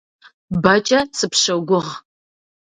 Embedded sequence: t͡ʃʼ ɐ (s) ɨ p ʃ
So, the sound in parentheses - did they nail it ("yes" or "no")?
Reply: yes